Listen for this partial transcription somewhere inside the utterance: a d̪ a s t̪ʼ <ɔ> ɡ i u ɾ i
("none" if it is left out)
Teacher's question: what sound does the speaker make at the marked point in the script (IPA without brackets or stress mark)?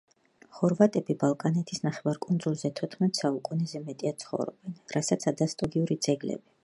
ɔ